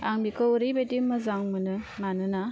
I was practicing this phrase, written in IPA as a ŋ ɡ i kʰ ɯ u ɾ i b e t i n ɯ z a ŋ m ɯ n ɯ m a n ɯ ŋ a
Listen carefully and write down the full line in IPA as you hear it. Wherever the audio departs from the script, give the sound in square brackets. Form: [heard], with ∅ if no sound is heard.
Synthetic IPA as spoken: a ŋ [b] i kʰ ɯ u ɾ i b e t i [m] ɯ z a ŋ m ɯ n ɯ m a n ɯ [n] a